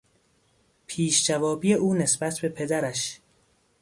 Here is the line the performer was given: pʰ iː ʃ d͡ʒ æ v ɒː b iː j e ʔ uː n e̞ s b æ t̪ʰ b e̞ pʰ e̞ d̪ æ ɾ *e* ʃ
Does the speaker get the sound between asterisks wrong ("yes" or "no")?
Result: yes